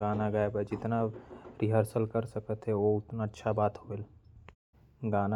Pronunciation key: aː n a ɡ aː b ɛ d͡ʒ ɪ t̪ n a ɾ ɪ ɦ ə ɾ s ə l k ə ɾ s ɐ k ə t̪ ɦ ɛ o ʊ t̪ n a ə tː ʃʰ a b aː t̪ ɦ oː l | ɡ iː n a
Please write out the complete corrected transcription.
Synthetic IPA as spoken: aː n a ɡ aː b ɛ d͡ʒ ɪ t̪ n a ɾ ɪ ɦ ə ɾ s ə l k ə ɾ s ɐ k ə t̪ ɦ ɛ o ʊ t̪ n a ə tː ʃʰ a b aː t̪ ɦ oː l | ɡ aː n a